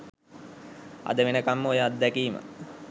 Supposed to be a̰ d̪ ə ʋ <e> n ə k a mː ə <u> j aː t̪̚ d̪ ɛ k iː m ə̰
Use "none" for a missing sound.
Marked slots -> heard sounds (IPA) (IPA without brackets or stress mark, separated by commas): e, o